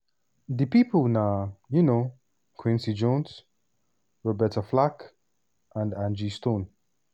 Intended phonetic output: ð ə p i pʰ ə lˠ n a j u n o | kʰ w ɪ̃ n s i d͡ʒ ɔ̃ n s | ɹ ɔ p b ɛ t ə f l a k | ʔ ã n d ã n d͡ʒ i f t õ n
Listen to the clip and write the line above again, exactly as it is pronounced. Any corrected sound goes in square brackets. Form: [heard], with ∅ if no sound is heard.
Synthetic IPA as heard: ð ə p i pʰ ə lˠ n a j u n o | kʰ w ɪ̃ n s i d͡ʒ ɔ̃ n s | ɹ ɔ [∅] b ɛ t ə f l a k | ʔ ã n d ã n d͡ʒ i [s] t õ n